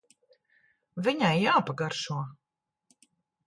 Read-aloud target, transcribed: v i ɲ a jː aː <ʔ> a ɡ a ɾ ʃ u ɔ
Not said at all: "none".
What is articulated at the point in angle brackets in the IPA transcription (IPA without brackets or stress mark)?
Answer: p